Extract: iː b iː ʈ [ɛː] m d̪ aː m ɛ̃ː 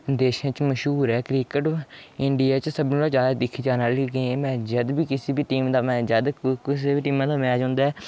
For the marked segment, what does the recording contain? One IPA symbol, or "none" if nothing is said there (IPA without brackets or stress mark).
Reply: iː